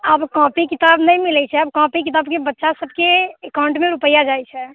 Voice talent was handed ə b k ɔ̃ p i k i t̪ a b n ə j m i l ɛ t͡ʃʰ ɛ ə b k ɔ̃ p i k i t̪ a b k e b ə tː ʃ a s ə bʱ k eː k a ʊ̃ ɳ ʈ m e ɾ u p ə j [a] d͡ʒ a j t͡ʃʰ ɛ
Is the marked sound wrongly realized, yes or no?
no